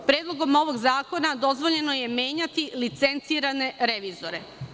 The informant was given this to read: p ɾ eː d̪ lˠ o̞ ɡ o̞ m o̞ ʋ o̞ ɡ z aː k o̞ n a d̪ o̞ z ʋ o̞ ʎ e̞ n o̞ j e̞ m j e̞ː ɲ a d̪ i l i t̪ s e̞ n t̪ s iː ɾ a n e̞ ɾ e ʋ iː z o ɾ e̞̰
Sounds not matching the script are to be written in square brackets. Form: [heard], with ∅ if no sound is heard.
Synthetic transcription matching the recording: p ɾ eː d̪ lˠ o̞ ɡ o̞ m o̞ ʋ o̞ ɡ z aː k o̞ n a d̪ o̞ z ʋ o̞ ʎ e̞ n o̞ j e̞ m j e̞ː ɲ a [t̪] i l i t̪ s e̞ n t̪ s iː ɾ a n e̞ ɾ e ʋ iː z o ɾ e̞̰

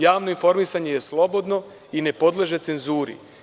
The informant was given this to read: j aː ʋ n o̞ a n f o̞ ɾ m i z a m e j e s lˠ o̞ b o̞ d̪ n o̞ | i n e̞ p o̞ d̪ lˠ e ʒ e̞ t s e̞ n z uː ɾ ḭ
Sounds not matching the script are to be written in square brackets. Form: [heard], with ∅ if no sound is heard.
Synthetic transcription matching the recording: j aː ʋ n o̞ [i] n f o̞ ɾ m i [s] a [ɲ] e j e s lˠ o̞ b o̞ d̪ n o̞ | i n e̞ p o̞ d̪ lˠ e ʒ e̞ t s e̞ n z uː ɾ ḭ

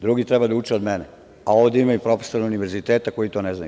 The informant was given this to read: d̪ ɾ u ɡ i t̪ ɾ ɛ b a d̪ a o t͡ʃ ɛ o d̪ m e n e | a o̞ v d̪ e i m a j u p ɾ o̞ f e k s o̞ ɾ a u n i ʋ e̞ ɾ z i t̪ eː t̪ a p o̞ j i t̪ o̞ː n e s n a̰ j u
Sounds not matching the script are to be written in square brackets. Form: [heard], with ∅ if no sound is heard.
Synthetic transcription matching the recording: d̪ ɾ u ɡ i t̪ ɾ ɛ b a d̪ a [u] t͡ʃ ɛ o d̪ m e n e | a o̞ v d̪ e i m a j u p ɾ o̞ f e [∅] s o̞ ɾ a u n i ʋ e̞ ɾ z i t̪ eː t̪ a [k] o̞ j i t̪ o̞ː n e [z] n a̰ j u

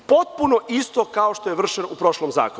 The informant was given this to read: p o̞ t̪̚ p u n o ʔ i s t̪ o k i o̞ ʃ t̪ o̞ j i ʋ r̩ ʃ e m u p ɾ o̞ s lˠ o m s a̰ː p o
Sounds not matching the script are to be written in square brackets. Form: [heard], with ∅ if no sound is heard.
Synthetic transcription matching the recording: p o̞ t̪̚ p u n o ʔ i s t̪ o k [a] o̞ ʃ t̪ o̞ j [e] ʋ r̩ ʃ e [n] u p ɾ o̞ [ʃ] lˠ o m [z] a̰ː [k] o

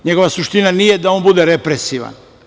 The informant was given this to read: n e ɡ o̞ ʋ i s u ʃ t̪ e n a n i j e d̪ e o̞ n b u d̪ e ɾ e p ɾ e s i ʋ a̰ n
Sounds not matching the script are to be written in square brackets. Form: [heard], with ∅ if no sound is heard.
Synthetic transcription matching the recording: [ɲ] e ɡ o̞ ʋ [a] s u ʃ t̪ [i] n a n i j e d̪ [a] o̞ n b u d̪ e ɾ e p ɾ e s i ʋ a̰ n

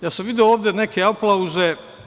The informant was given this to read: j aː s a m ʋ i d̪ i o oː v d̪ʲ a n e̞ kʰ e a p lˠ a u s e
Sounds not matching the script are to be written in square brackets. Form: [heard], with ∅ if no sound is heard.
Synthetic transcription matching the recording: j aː s a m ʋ i d̪ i o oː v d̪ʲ [e] n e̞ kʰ e a p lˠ a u [z] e

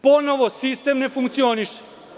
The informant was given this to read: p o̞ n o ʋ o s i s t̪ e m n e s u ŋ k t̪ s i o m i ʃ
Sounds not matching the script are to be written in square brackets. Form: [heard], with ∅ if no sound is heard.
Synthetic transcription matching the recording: p o̞ n o ʋ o s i s t̪ e m n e [f] u ŋ k t̪ s i o [n] i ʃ

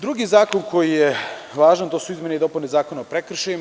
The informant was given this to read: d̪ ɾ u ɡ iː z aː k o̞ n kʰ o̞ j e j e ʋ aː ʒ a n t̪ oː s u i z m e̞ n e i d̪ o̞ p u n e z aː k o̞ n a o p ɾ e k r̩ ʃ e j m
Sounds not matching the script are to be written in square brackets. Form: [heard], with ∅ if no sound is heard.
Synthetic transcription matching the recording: d̪ ɾ u ɡ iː z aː k o̞ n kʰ o̞ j [i] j e ʋ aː ʒ a n t̪ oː s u i z m e̞ n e i d̪ o̞ p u n e z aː k o̞ n a o p ɾ e k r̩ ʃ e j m

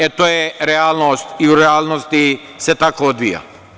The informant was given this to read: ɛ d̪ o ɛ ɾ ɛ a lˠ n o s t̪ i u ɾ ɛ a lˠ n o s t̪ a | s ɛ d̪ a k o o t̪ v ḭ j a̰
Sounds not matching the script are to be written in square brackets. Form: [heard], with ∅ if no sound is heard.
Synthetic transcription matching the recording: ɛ [t̪] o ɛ ɾ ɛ a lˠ n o s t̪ i u ɾ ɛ a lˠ n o s t̪ [i] | s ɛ [t̪] a k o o [d̪] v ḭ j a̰

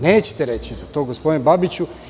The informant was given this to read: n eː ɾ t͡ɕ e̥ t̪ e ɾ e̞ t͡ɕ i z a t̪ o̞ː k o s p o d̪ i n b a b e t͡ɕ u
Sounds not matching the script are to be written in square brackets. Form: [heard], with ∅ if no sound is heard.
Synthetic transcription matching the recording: n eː [∅] t͡ɕ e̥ t̪ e ɾ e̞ t͡ɕ i z a t̪ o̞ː [ɡ] o s p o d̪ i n b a b [i] t͡ɕ u

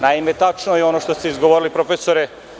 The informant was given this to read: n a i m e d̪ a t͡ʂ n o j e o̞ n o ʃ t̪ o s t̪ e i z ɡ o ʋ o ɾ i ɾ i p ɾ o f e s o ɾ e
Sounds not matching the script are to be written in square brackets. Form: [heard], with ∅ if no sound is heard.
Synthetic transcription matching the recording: n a i m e [t̪] a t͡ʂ n o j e o̞ n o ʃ t̪ o s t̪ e i z ɡ o ʋ o ɾ i [l] i p ɾ o f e s o ɾ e

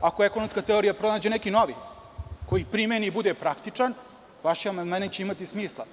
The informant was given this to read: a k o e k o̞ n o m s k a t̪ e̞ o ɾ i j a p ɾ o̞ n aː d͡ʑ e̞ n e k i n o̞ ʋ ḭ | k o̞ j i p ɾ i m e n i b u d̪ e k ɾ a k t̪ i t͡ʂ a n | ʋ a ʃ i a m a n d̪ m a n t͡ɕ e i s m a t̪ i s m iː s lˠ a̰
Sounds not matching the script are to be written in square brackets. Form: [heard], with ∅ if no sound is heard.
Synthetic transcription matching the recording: a k o e k o̞ n o m s k a t̪ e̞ o ɾ i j a p ɾ o̞ n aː d͡ʑ e̞ n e k i n o̞ ʋ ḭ | k o̞ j i p ɾ i m e n i b u d̪ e [p] ɾ a k t̪ i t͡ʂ a n | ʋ a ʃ i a m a n d̪ m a n t͡ɕ e i [∅] m a t̪ i s m iː s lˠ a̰

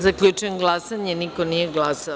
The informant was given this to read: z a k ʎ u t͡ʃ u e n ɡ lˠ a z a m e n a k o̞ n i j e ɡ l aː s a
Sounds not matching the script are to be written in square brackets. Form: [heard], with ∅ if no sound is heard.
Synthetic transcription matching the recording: z a k ʎ u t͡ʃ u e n ɡ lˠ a [s] a [ɲ] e n [i] k o̞ n i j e ɡ l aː s a

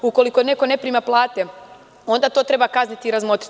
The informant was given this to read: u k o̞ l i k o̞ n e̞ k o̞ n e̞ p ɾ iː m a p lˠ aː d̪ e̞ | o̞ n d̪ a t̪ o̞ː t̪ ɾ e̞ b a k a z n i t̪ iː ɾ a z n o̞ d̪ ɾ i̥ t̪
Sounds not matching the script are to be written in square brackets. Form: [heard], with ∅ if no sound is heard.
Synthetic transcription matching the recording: u k o̞ l i k o̞ n e̞ k o̞ n e̞ p ɾ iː m a p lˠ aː [t̪] e̞ | o̞ n d̪ a t̪ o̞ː t̪ ɾ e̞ b a k a z n i t̪ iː ɾ a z [m] o̞ [t̪] ɾ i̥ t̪

